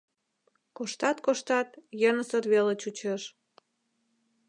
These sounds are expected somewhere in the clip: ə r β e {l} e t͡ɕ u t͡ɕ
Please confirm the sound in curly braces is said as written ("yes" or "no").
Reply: yes